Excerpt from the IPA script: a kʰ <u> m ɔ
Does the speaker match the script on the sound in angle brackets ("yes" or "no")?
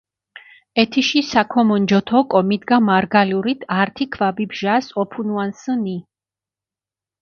no